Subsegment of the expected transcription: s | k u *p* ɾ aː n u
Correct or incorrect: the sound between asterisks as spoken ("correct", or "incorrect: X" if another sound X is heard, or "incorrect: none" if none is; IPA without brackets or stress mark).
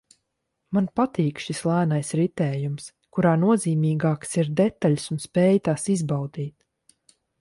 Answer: incorrect: none